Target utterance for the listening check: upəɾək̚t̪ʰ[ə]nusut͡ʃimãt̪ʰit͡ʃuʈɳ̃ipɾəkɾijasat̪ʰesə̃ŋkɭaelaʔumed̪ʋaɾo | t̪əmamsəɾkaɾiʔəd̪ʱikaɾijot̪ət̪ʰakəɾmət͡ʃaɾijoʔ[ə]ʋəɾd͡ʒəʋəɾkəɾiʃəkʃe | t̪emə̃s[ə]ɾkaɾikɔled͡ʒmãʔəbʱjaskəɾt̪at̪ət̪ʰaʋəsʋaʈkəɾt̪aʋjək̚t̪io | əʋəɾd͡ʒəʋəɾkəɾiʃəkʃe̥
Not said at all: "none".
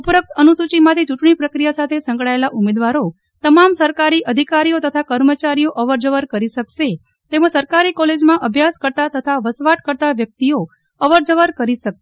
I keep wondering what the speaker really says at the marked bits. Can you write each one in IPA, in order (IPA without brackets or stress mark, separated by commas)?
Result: ə, ə, ə